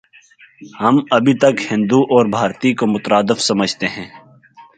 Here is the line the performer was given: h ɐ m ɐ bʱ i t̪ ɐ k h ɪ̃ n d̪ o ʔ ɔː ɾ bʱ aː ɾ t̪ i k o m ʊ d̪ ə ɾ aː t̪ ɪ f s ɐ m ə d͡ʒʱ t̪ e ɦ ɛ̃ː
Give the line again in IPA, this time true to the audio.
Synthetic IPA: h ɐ m ɐ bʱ i t̪ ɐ k h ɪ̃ n d̪ u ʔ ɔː ɾ bʱ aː ɾ t̪ i k o m ʊ t̪ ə ɾ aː d̪ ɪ f s ɐ m ə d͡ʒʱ t̪ e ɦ ɛ̃ː